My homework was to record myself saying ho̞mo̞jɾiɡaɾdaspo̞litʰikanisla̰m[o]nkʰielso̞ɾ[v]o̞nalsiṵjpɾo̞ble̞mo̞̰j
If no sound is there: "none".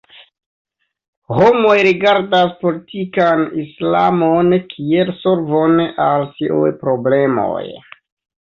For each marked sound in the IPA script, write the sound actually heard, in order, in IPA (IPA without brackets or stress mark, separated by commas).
o, v